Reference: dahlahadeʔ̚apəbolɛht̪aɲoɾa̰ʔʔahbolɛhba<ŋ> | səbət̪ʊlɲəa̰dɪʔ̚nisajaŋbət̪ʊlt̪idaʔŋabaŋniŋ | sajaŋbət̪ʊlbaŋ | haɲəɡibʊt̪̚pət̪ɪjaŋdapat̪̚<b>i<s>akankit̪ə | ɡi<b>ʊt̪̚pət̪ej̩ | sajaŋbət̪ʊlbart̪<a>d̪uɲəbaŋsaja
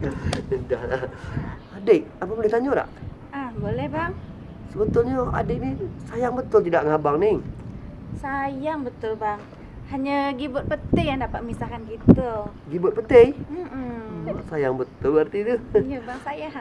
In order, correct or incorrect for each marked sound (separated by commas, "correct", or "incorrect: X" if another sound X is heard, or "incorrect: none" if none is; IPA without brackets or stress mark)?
correct, incorrect: m, correct, correct, incorrect: i